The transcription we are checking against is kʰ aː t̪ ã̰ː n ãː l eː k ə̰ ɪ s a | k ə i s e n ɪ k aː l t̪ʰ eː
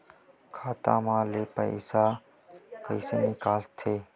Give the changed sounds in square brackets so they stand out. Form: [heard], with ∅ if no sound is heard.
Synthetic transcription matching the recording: kʰ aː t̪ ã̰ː [m] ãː l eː [p] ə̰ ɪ s a | k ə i s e n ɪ k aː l t̪ʰ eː